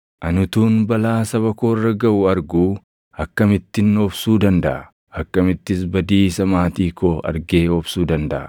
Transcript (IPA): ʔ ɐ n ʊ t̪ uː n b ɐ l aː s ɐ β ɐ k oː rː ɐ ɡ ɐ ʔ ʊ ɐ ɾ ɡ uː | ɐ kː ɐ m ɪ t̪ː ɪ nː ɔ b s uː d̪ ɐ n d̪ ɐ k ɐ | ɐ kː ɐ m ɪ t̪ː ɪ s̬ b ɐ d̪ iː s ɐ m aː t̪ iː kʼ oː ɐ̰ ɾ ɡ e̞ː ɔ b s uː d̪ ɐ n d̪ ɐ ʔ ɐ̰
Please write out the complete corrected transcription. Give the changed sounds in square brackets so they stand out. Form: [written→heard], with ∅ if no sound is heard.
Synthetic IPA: ʔ ɐ n ʊ t̪ uː n b ɐ l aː s ɐ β ɐ k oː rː ɐ ɡ ɐ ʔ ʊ ɐ ɾ ɡ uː | ɐ kː ɐ m ɪ t̪ː ɪ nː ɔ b s uː d̪ ɐ n d̪ ɐ [k→ʔ] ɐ | ɐ kː ɐ m ɪ t̪ː ɪ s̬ b ɐ d̪ iː s ɐ m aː t̪ iː [kʼ→k] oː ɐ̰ ɾ ɡ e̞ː ɔ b s uː d̪ ɐ n d̪ ɐ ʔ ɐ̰